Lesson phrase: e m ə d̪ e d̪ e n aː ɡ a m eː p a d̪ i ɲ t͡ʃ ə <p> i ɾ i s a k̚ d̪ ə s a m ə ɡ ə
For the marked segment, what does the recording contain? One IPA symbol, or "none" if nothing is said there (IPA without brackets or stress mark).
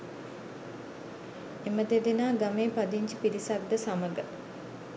p